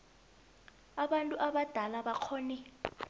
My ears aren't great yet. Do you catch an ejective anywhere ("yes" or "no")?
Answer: yes